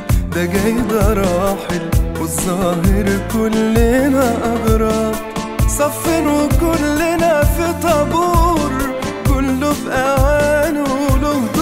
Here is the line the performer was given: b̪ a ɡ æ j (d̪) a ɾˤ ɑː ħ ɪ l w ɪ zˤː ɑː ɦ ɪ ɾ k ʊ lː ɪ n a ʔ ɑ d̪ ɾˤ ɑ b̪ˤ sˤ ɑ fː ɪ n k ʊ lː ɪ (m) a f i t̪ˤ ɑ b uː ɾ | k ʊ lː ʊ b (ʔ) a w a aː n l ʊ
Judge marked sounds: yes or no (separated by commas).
yes, no, yes